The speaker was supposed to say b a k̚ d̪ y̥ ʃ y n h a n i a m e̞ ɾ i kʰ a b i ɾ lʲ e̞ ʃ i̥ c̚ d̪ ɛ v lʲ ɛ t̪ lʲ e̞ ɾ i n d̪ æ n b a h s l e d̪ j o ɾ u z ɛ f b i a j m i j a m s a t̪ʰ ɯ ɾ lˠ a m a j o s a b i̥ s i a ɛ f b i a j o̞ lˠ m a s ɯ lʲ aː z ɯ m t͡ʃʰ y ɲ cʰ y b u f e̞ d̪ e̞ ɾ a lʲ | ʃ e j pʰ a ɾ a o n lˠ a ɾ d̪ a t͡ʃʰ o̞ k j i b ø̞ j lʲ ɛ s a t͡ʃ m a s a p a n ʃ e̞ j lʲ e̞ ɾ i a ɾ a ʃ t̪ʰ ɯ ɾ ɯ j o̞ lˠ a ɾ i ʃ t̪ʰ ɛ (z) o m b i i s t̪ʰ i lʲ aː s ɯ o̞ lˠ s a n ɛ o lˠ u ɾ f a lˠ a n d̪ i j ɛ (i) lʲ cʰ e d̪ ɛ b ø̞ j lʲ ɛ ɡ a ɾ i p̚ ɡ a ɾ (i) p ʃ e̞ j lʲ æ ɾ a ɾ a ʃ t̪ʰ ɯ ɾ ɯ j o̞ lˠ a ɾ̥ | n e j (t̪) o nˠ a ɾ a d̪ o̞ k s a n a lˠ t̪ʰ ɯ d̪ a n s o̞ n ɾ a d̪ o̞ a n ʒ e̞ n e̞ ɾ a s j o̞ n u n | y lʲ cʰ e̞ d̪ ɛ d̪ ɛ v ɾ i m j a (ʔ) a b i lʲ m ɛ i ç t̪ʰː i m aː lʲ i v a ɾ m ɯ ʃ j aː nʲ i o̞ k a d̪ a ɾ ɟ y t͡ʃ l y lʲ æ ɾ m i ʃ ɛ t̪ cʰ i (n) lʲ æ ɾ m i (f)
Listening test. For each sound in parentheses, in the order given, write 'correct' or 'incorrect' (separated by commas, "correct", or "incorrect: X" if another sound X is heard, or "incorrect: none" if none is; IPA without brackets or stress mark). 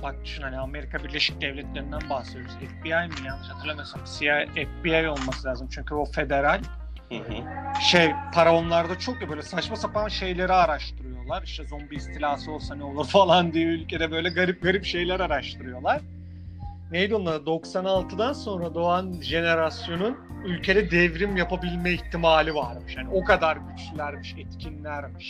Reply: correct, incorrect: y, correct, incorrect: d̪, incorrect: p, correct, incorrect: ʃ